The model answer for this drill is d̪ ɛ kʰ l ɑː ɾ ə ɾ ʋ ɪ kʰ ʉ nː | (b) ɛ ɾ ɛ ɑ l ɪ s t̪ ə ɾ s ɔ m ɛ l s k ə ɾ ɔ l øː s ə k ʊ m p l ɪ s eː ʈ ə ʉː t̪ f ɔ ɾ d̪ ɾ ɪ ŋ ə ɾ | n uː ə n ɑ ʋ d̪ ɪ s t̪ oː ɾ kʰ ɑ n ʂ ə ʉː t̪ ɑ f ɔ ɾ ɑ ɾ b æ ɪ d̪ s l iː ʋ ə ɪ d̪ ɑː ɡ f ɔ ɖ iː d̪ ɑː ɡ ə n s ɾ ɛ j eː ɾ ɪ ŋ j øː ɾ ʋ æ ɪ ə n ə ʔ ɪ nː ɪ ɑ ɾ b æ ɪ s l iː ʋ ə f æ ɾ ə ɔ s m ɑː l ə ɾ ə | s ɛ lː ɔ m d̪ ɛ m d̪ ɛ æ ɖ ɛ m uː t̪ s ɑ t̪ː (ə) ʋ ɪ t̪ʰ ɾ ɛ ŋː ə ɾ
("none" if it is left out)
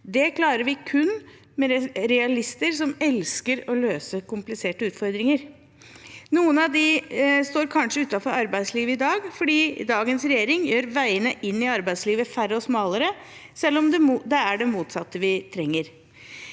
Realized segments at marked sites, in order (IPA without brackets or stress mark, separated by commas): m, ə